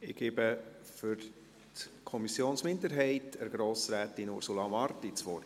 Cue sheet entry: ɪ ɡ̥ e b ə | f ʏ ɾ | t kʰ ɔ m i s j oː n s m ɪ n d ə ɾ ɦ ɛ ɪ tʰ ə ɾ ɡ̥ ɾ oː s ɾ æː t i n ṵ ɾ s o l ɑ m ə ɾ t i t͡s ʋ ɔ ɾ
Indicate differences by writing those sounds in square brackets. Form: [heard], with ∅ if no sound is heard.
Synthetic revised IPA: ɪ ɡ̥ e b ə | f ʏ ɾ | t kʰ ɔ m i s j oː n s m ɪ n d ə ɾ ɦ ɛ ɪ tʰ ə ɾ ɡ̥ ɾ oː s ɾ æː t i n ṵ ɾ s [u] l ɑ m [ɑ] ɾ t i t͡s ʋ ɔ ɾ